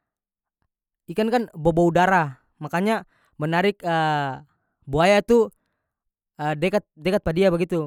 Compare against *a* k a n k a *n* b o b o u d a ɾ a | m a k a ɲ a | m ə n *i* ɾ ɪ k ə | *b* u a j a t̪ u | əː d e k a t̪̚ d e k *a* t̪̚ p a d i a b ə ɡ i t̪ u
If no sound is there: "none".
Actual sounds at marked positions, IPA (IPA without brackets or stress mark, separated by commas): i, n, a, b, a